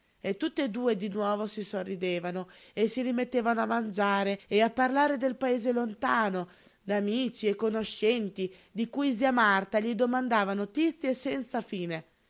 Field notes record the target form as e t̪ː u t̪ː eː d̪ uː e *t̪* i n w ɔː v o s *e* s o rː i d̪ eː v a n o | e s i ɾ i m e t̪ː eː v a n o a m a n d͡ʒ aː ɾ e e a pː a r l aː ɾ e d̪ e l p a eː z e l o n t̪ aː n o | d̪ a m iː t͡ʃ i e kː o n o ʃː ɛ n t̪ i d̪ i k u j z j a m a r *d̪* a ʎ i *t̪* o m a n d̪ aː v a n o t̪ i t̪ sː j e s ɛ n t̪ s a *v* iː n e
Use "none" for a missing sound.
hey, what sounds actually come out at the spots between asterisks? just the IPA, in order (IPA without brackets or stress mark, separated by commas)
d̪, i, t̪, d̪, f